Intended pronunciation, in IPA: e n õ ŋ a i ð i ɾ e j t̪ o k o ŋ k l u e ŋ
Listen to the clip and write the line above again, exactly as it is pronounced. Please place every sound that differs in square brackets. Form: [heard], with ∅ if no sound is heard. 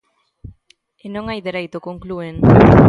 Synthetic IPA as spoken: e n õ ŋ a [j] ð [e] ɾ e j t̪ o k o ŋ k l u e ŋ